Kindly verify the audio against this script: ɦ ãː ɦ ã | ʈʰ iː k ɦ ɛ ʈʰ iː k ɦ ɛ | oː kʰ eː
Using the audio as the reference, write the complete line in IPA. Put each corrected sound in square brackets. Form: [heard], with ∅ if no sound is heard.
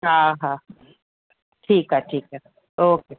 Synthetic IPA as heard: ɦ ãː ɦ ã | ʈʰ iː k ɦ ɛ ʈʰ iː k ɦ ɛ | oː [k] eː